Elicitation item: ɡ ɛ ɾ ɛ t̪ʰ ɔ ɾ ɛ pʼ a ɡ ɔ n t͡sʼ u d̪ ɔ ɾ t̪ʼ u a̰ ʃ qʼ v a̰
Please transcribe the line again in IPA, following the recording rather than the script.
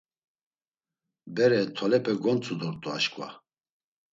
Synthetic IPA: b ɛ ɾ ɛ t̪ʰ ɔ l ɛ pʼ ɛ ɡ ɔ n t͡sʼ u d̪ ɔ ɾ t̪ʼ u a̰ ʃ kʼ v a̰